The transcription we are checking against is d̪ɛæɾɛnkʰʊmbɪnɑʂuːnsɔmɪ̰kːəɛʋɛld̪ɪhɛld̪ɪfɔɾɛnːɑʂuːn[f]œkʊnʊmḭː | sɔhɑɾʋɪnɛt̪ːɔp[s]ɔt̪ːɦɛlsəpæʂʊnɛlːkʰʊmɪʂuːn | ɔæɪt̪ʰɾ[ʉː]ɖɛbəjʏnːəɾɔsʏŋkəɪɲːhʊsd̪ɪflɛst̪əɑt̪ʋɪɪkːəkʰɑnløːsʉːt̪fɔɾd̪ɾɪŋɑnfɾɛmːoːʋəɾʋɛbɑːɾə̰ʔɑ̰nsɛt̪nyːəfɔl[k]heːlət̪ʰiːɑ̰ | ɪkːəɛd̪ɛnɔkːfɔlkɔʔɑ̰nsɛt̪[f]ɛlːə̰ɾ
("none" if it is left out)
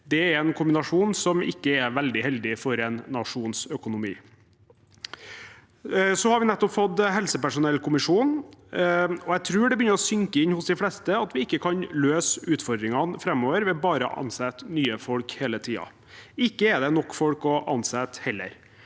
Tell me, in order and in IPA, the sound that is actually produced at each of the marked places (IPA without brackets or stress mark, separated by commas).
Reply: s, f, ʉː, k, h